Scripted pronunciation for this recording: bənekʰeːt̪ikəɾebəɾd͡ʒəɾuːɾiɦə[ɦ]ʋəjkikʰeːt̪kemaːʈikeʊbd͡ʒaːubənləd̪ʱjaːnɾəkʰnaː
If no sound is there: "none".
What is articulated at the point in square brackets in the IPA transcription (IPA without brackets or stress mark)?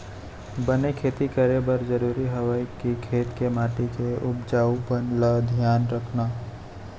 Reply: none